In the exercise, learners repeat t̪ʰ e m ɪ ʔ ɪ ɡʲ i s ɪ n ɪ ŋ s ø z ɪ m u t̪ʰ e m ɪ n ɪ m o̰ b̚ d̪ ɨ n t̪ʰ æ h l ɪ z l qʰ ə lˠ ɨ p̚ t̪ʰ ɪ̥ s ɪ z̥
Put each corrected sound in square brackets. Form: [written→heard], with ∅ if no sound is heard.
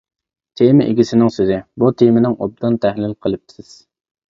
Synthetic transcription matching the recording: t̪ʰ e m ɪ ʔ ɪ ɡʲ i s ɪ n ɪ ŋ s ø z ɪ [m→b] u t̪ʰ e m ɪ n ɪ [m→ŋ] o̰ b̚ d̪ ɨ n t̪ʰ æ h l ɪ [z→∅] l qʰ ə lˠ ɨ p̚ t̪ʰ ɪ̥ s ɪ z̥

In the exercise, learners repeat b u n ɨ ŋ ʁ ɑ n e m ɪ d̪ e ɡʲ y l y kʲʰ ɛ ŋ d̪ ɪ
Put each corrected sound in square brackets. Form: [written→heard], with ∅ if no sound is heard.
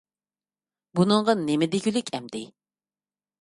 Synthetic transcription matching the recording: b u n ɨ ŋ ʁ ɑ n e m ɪ d̪ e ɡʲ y l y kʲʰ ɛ [ŋ→m] d̪ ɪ

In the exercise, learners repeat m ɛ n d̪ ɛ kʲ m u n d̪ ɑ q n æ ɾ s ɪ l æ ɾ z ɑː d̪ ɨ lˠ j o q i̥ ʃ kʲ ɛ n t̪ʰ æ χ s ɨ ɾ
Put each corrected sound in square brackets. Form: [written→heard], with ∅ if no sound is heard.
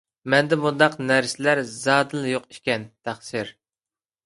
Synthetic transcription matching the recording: m ɛ n d̪ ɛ [kʲ→∅] m u n d̪ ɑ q n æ ɾ s ɪ l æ ɾ z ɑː d̪ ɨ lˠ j o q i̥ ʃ kʲ ɛ n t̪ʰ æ χ s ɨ ɾ

